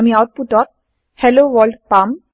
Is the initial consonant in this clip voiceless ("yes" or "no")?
no